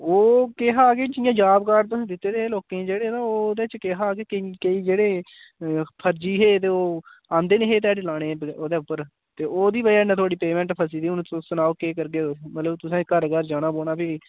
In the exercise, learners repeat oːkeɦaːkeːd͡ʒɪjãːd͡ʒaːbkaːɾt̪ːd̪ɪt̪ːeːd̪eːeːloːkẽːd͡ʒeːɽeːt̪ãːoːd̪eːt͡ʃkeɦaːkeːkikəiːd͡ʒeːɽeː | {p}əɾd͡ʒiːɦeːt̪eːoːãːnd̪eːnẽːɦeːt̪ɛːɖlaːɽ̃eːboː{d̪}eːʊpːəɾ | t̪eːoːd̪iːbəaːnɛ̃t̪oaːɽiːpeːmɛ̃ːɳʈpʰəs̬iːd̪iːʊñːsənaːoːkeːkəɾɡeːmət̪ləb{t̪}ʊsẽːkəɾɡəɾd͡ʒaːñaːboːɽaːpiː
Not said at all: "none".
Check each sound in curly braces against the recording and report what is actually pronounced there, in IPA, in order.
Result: pʰ, d̪, t̪

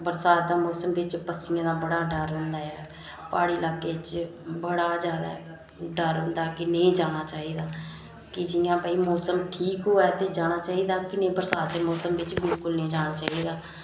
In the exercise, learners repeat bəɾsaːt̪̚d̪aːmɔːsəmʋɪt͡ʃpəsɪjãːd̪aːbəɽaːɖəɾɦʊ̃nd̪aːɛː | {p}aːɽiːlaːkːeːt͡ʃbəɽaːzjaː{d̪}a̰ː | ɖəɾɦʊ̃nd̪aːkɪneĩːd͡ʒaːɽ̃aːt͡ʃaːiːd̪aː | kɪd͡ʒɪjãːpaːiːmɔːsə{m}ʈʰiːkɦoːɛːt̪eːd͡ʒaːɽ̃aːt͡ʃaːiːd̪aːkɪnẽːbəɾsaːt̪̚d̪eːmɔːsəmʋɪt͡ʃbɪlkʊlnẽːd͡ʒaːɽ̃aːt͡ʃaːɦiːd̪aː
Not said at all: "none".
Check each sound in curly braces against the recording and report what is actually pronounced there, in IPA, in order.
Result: p, d̪, m

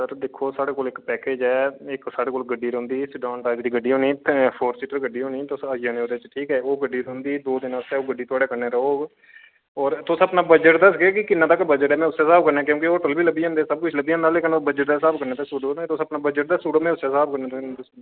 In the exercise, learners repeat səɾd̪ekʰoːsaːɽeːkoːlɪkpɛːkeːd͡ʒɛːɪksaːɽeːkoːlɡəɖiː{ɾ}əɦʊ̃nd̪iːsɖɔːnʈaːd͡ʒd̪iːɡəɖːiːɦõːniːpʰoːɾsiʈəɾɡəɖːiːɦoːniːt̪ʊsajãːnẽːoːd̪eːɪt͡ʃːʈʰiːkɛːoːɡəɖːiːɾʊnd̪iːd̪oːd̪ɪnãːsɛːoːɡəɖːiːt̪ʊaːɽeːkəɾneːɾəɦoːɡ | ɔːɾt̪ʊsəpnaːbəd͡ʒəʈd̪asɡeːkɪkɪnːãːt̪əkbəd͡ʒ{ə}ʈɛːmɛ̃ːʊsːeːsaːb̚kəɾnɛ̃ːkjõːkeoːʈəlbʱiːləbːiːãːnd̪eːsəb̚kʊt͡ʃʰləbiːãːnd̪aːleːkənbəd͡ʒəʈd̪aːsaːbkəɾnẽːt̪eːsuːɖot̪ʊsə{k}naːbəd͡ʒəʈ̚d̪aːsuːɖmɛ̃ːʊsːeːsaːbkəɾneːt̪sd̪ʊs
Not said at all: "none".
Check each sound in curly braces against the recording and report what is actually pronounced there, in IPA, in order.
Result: ɾ, ə, p

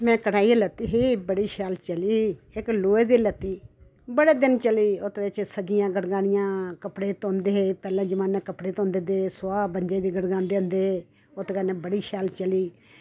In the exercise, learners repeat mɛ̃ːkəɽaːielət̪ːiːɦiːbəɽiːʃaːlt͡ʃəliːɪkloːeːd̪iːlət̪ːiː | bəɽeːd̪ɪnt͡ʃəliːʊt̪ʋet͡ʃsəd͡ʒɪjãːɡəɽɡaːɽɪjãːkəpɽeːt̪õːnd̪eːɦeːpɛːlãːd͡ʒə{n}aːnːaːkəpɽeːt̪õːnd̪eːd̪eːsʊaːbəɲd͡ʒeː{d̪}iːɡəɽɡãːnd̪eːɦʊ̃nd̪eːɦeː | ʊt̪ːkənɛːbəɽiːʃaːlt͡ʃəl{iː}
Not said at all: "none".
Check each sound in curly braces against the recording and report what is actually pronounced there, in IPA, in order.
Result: m, d̪, iː

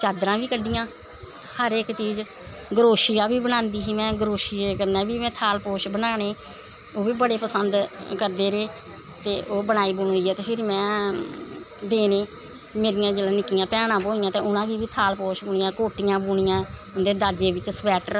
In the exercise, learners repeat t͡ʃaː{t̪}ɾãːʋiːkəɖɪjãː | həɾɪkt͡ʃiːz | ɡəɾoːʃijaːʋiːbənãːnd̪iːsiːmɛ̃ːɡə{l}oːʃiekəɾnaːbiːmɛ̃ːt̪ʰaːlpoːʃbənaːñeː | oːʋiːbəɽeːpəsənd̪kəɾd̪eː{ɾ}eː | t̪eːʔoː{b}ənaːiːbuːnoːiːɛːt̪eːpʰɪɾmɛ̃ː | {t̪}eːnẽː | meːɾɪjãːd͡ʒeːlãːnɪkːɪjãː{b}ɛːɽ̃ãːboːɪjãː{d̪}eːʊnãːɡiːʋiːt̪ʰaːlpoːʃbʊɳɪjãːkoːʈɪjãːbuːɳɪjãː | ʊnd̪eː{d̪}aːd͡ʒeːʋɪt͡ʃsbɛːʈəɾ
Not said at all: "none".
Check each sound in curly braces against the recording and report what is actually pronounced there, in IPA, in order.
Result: d̪, ɾ, ɾ, b, d̪, p, t̪, d̪

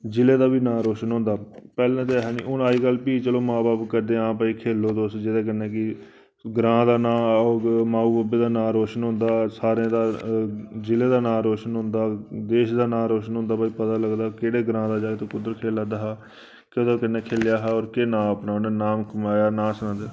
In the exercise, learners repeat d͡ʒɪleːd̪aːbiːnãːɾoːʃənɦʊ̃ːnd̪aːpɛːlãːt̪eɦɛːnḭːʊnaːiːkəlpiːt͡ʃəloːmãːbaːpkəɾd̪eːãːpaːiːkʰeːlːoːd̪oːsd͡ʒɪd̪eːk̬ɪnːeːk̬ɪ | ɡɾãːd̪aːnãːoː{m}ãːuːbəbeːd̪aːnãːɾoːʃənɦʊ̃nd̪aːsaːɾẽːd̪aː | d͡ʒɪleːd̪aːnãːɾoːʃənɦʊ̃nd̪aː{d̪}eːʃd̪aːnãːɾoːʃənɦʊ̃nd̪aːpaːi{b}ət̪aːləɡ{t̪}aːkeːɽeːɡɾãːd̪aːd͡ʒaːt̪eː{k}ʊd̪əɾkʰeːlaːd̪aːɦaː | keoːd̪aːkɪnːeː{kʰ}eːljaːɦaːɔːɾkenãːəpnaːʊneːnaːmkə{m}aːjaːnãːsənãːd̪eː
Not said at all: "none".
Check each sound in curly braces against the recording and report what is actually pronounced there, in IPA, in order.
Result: m, d̪, p, d̪, k, kʰ, m

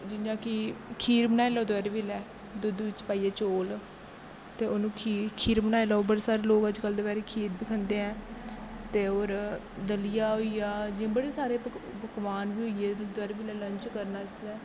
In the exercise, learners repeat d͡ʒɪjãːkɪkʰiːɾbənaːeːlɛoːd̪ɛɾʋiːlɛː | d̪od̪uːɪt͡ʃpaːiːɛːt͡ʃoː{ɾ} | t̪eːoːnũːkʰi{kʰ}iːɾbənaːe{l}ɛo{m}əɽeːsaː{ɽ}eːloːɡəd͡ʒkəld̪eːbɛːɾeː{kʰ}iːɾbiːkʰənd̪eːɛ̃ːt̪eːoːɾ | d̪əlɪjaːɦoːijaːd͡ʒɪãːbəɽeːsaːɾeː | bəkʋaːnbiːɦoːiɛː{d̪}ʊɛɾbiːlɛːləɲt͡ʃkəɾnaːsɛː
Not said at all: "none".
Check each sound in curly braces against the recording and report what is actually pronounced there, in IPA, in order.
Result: l, kʰ, l, b, ɾ, kʰ, d̪

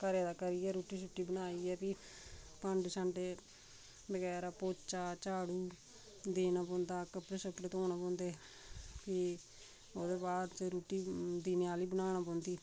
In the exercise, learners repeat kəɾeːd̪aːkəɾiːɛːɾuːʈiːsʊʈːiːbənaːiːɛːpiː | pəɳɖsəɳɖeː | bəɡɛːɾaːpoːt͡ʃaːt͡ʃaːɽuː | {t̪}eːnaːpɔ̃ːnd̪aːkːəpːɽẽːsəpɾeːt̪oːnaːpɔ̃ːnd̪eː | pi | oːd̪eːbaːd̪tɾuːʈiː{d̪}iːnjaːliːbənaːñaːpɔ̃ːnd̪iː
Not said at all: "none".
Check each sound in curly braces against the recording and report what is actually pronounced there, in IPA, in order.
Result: d̪, d̪

